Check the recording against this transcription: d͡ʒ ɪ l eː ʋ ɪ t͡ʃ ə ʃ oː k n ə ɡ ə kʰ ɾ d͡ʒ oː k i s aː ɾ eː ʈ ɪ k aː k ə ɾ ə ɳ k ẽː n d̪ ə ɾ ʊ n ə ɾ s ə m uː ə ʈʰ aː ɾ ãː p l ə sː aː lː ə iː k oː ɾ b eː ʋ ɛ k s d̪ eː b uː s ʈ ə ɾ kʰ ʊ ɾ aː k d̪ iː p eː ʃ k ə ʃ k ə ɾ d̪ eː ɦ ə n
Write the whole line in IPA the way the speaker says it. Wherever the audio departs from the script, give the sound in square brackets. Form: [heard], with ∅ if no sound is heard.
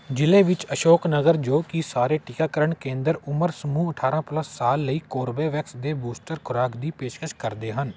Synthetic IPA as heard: d͡ʒ ɪ l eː ʋ ɪ t͡ʃ ə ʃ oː k n ə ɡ ə [∅] ɾ d͡ʒ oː k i s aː ɾ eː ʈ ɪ k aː k ə ɾ ə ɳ k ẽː n d̪ ə ɾ ʊ [m] ə ɾ s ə m uː ə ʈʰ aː ɾ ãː p l ə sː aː lː ə iː k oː ɾ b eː ʋ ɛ k s d̪ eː b uː s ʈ ə ɾ kʰ ʊ ɾ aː k d̪ iː p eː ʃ k ə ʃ k ə ɾ d̪ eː ɦ ə n

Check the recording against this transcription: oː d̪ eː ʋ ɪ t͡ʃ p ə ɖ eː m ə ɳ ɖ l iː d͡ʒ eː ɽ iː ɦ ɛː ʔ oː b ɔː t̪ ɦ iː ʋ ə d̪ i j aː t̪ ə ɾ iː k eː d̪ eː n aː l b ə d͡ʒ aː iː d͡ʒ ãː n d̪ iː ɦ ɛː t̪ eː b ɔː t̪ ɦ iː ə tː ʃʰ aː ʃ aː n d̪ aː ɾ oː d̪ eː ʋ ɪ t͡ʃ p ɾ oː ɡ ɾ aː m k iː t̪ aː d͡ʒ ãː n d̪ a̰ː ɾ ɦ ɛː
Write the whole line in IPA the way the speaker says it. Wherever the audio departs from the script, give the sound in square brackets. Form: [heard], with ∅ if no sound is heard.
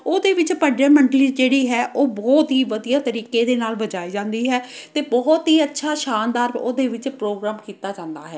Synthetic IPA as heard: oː d̪ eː ʋ ɪ t͡ʃ p ə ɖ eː m ə ɳ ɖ l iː d͡ʒ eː ɽ iː ɦ ɛː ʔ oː b ɔː t̪ ɦ iː ʋ ə d̪ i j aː t̪ ə ɾ iː k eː d̪ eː n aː l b ə d͡ʒ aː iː d͡ʒ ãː n d̪ iː ɦ ɛː t̪ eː b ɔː t̪ ɦ iː ə tː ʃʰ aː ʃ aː n d̪ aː ɾ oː d̪ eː ʋ ɪ t͡ʃ p ɾ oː ɡ ɾ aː m k iː t̪ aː d͡ʒ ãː n d̪ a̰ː [∅] ɦ ɛː

